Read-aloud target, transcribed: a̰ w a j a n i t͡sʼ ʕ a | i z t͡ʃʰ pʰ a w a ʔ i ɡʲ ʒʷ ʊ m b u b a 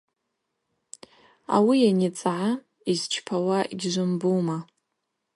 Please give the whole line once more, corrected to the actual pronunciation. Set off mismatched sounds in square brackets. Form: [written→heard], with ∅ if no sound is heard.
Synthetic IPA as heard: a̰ w [a→i] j a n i t͡sʼ ʕ a | i z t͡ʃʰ pʰ a w a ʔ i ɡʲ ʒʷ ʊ m b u [b→m] a